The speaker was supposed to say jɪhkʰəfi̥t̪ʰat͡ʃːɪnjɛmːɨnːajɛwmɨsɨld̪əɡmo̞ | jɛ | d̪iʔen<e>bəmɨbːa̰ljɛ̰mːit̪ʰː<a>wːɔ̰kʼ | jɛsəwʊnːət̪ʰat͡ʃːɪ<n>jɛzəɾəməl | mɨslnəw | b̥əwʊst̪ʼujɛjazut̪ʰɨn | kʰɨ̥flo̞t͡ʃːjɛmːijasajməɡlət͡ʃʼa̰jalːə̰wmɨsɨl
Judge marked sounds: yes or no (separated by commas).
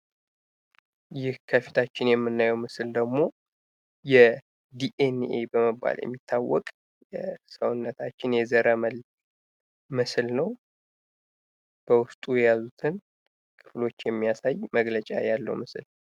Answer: yes, yes, yes